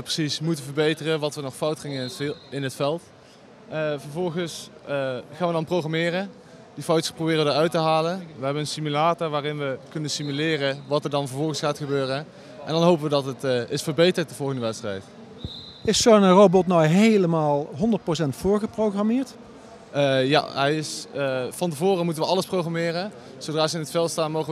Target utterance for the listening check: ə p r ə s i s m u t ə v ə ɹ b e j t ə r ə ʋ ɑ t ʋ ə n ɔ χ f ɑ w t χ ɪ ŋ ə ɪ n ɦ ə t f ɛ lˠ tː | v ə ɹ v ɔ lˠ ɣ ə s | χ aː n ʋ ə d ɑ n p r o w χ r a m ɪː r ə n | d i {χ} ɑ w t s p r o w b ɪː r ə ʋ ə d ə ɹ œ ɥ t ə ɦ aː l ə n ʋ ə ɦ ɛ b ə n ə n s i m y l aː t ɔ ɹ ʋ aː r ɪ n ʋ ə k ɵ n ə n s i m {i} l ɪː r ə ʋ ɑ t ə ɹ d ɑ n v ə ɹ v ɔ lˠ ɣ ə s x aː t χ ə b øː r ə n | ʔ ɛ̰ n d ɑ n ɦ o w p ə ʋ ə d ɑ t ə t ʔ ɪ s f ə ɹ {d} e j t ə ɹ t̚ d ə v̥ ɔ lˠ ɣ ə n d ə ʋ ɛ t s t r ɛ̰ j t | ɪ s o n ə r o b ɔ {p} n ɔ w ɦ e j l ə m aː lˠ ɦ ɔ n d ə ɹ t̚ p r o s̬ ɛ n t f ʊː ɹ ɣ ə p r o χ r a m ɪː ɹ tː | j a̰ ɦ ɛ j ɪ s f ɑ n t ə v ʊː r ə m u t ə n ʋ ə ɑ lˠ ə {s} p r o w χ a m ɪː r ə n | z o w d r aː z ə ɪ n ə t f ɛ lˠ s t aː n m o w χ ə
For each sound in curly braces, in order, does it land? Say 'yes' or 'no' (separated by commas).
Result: no, no, no, no, yes